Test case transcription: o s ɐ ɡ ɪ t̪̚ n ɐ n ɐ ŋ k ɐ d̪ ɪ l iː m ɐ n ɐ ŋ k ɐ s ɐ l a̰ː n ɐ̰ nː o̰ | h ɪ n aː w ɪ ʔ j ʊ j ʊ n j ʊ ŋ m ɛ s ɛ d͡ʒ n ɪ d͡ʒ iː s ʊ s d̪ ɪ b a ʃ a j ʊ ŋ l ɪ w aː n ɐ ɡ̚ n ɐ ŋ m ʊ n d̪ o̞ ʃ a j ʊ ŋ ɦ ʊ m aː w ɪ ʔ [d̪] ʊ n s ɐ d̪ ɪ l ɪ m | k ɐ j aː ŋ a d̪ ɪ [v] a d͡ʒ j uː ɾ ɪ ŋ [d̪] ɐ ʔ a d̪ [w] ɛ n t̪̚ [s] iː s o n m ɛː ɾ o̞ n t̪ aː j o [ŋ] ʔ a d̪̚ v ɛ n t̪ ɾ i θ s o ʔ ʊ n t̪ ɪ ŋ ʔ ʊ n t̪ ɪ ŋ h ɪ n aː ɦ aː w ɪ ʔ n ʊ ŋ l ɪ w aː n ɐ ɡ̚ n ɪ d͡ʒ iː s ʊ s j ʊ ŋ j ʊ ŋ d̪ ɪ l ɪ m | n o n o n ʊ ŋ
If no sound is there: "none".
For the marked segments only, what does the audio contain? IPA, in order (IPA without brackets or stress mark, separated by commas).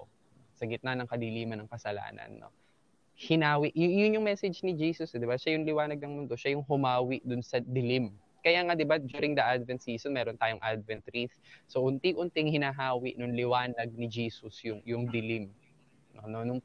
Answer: d̪, b, d̪, v, s, ŋ